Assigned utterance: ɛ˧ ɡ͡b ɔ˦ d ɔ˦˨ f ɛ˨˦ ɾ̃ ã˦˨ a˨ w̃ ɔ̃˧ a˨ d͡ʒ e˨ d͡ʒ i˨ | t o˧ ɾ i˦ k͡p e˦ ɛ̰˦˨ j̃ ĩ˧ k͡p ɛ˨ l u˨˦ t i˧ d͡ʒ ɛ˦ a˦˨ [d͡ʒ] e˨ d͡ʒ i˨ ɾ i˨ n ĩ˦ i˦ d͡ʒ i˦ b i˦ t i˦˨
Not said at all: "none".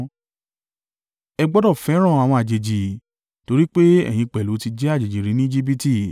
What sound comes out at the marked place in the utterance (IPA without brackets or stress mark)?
d͡ʒ